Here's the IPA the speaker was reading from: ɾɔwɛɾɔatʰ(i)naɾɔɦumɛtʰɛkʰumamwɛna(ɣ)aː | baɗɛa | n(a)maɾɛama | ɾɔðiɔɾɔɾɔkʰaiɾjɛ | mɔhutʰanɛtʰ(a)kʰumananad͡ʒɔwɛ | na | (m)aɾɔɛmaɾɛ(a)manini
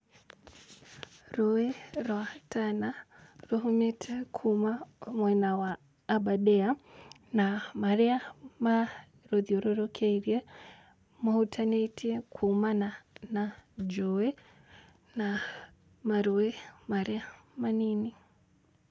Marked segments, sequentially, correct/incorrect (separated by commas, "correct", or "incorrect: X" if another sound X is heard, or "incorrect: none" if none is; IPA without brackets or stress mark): incorrect: a, incorrect: w, correct, incorrect: i, correct, correct